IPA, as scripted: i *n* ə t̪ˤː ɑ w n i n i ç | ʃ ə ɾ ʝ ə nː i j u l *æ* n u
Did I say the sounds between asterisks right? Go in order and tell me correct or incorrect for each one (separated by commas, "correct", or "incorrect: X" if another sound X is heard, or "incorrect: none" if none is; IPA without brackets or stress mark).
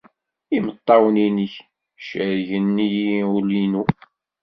incorrect: m, incorrect: i